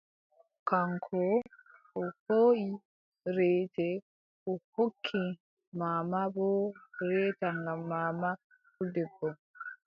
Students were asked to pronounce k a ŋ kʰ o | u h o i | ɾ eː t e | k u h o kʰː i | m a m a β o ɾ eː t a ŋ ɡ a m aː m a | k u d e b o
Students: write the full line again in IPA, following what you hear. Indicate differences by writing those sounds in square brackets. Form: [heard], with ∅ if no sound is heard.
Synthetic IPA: k a ŋ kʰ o | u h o i | ɾ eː t e | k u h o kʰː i | m a m a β o ɾ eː t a ŋ ɡ a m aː m a | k u d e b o